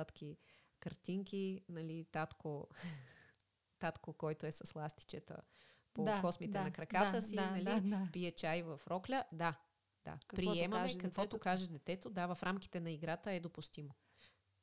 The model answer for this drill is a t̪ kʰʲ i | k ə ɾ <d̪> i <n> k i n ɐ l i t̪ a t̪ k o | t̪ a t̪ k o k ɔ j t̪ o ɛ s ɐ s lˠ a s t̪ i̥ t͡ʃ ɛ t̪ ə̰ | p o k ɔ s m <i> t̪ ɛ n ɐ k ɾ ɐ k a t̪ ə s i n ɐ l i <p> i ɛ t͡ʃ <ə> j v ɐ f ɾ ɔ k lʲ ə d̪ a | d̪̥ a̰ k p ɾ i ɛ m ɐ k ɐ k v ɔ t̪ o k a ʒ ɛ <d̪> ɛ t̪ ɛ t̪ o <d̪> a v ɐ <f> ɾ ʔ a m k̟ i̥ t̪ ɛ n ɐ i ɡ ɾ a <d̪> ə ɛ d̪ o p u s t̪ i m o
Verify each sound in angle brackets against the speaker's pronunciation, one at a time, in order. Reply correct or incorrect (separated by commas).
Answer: incorrect, incorrect, correct, correct, incorrect, correct, correct, correct, incorrect